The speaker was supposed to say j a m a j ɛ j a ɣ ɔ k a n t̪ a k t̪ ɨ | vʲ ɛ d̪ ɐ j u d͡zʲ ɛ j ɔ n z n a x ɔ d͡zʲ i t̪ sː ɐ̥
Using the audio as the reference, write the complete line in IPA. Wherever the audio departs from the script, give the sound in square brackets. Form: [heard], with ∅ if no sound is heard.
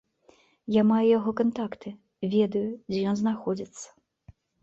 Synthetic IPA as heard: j a m a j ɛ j a ɣ ɔ k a n t̪ a k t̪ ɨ | vʲ ɛ d̪ ɐ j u d͡zʲ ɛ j ɔ n z n a x ɔ d͡zʲ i t̪ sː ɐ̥